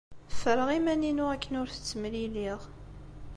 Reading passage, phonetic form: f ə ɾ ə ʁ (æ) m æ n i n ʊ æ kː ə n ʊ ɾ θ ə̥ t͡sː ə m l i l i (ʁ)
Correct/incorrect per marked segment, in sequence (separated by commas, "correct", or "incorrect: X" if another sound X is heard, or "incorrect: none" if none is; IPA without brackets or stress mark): incorrect: i, correct